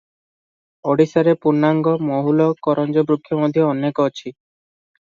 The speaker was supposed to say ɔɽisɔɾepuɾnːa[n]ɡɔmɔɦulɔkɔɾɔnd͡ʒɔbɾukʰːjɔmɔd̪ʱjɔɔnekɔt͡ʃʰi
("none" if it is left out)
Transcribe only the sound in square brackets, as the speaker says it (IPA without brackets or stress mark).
ŋ